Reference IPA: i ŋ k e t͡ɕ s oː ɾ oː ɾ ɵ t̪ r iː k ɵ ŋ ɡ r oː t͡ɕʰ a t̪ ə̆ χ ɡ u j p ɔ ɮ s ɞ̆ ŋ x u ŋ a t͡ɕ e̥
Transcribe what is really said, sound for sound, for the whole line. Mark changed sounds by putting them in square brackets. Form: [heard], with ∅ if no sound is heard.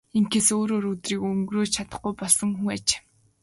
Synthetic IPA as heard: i ŋ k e [∅] s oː ɾ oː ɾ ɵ t̪ r iː k ɵ ŋ ɡ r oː t͡ɕʰ a t̪ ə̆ χ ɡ u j p ɔ ɮ s ɞ̆ ŋ x u ŋ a t͡ɕ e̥